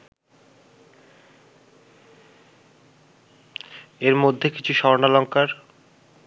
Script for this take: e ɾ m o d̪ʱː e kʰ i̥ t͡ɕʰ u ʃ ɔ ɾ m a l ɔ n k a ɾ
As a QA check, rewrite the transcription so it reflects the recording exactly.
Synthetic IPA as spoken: e ɾ m o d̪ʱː e k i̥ t͡ɕʰ u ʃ ɔ ɾ n a l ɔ ŋ k a ɾ

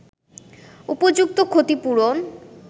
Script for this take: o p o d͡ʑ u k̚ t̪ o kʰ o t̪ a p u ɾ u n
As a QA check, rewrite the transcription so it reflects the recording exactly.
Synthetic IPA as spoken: u p o d͡ʑ u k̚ t̪ o kʰ o t̪ i p u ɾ o n

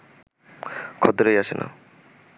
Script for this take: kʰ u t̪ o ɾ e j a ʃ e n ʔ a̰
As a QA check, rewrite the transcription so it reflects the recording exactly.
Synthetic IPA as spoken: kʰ ɔ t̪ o ɾ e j a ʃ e n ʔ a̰

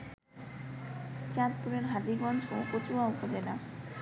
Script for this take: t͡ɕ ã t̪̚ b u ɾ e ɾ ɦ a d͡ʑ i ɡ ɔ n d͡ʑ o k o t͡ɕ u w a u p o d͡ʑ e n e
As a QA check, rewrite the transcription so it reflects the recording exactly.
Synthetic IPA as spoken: t͡ɕ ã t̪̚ p u ɾ e ɾ ɦ a d͡ʑ i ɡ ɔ n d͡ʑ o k o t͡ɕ u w a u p o d͡ʑ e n a

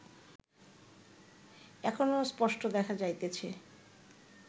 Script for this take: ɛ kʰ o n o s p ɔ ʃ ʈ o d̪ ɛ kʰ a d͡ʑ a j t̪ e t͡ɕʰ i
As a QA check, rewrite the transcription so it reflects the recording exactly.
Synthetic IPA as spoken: ɛ kʰ o n o s p ɔ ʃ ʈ o d̪ ɛ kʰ a d͡ʑ a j t̪ e t͡ɕʰ e

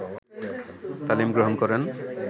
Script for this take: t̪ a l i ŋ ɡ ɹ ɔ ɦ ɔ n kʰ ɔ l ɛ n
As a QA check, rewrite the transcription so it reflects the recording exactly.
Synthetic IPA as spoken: t̪ a l i m ɡ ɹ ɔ ɦ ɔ n k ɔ ɹ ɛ n

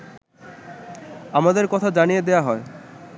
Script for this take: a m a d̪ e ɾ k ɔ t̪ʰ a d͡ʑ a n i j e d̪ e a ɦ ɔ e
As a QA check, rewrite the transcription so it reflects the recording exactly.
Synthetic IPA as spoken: a m a d̪ e ɾ k ɔ t̪ʰ a d͡ʑ a n i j e d̪ e a ɦ ɔ e

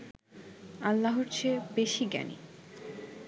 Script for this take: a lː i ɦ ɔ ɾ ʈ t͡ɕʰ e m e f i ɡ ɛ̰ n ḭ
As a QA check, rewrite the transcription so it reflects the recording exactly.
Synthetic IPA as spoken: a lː a ɦ o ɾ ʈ t͡ɕʰ e b e ʃ i ɡ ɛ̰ n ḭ

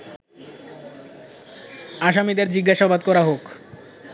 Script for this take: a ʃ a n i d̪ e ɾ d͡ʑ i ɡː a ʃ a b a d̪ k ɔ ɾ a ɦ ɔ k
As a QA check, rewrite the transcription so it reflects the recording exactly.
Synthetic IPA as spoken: a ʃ a m i d̪ e ɾ d͡ʑ i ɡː a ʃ a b a d̪ k ɔ ɾ a ɦ o k

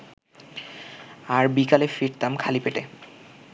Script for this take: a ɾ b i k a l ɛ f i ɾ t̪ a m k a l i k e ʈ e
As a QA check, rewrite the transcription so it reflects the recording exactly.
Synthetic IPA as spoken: a ɾ b i k a l e f i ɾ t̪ a m kʰ a l i p e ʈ e

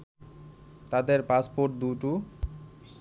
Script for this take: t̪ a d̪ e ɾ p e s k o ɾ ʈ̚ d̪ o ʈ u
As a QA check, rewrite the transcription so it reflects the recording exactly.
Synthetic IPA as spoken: t̪ a d̪ e ɾ p a s p o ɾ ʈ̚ d̪ u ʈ u

